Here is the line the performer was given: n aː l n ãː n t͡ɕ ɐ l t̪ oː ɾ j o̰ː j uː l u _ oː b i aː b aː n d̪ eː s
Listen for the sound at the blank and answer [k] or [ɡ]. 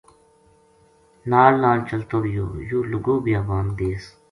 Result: ɡ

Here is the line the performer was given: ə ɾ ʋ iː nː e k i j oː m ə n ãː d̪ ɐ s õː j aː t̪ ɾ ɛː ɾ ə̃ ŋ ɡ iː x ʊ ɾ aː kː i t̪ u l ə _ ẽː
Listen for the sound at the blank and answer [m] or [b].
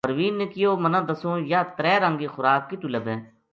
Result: b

